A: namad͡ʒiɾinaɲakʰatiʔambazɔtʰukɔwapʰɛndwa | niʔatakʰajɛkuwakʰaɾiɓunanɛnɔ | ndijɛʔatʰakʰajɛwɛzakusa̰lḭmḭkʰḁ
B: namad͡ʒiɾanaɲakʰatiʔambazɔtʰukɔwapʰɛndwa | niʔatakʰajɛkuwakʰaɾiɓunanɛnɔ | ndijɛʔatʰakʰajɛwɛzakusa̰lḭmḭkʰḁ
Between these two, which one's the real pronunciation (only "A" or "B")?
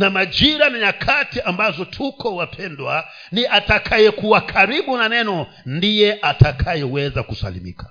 B